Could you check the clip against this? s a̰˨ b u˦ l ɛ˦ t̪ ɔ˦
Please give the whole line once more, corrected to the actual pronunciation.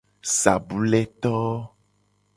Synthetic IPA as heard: s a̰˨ b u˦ l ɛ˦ t̪ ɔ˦